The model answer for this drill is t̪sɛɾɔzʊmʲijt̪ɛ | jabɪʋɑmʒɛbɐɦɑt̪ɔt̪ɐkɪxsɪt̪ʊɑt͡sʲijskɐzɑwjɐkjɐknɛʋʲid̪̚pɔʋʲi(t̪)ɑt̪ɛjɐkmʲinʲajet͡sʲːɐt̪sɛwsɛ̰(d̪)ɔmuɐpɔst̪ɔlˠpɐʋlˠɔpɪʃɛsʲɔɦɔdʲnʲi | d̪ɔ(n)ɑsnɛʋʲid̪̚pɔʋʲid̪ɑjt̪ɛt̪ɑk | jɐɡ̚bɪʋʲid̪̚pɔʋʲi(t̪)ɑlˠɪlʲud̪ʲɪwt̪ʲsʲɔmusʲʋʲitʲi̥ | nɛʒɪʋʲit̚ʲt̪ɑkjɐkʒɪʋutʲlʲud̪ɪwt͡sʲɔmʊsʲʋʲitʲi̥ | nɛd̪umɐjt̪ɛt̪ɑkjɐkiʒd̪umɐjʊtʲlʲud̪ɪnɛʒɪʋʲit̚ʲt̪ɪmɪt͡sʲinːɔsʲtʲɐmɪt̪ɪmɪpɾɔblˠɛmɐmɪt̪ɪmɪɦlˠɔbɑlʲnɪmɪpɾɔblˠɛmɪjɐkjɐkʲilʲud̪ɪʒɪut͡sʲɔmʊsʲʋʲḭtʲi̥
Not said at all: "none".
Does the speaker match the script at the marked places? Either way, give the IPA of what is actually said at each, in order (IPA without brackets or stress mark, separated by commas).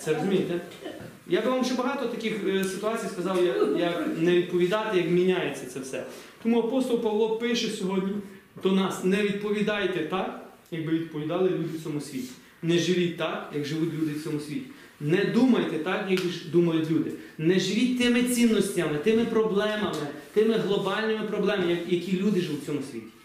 d̪, t̪, n, d̪